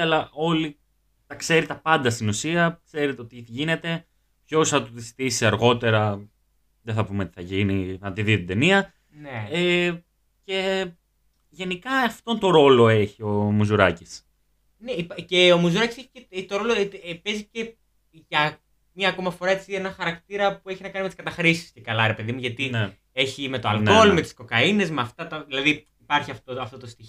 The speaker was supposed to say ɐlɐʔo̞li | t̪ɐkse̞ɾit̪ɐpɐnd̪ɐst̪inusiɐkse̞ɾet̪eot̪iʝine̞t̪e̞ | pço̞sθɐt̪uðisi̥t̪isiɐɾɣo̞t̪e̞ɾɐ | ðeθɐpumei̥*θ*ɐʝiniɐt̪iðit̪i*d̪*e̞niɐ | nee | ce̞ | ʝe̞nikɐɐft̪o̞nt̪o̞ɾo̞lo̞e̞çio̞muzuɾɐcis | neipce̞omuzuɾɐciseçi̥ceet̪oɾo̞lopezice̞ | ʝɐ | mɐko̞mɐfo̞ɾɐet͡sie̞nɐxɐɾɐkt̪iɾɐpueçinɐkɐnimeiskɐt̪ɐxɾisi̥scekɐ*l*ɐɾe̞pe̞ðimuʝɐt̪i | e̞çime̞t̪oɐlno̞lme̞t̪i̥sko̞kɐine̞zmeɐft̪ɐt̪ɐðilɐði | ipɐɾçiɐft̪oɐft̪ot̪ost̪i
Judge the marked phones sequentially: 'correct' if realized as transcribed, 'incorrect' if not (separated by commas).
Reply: correct, correct, correct